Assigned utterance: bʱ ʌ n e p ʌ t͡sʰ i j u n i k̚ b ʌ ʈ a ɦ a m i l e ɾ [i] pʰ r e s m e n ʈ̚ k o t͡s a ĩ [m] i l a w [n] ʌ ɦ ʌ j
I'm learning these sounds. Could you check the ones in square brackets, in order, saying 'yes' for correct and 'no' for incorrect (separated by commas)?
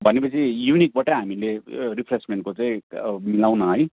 yes, yes, yes